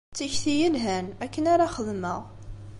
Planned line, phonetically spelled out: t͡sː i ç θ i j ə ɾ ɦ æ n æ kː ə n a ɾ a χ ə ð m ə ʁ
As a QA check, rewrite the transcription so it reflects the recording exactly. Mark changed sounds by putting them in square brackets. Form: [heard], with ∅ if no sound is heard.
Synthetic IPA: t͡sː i ç θ i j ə [l] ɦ æ n æ kː ə n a ɾ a χ ə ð m ə ʁ

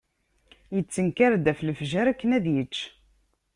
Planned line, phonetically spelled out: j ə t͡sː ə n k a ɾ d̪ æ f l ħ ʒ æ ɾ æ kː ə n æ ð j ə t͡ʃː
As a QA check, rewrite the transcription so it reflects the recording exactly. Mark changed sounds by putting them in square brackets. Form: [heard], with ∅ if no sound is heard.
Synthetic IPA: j ə t͡sː ə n k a ɾ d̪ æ f l [f] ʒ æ ɾ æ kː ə n æ ð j ə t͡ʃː

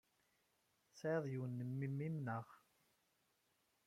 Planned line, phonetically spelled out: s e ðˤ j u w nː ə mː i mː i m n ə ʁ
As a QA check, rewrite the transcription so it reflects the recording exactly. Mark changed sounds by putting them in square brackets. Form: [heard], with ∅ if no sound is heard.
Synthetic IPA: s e ðˤ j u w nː ə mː i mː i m n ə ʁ

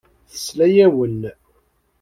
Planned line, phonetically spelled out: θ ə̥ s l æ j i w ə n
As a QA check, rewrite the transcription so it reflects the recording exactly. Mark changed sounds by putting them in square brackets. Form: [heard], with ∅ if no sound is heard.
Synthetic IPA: θ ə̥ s l æ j [æ] w ə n

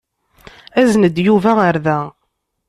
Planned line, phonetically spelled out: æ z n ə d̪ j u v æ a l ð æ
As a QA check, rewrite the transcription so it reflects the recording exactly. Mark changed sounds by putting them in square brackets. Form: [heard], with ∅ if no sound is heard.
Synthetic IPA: æ z n ə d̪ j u v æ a [ɾ] ð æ

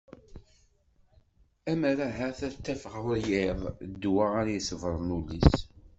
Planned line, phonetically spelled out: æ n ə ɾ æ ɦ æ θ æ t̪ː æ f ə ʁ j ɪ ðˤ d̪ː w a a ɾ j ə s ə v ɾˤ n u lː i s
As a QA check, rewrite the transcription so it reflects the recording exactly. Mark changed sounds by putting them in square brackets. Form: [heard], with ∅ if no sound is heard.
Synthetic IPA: æ [m] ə ɾ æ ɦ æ θ æ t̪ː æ f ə ʁ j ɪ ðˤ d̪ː w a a ɾ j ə s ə v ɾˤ n u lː i s

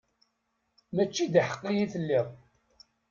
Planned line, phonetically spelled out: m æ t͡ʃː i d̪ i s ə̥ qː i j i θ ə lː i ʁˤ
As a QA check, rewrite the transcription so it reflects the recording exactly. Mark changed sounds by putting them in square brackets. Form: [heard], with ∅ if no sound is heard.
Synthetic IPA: m æ t͡ʃː i d̪ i [ħ] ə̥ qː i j i θ ə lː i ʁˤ

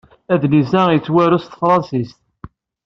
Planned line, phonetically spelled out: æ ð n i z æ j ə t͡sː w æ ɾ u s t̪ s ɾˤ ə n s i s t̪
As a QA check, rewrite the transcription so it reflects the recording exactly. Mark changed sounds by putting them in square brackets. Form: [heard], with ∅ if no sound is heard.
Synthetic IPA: æ ð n i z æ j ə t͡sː w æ ɾ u s t̪ [f] ɾˤ [ɑ] n s i s t̪

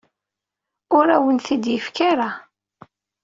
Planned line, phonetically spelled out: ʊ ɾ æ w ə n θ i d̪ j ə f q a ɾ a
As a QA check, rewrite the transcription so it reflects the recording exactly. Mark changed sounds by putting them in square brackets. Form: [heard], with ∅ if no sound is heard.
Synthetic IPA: ʊ ɾ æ w ə n θ i d̪ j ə f [k] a ɾ a

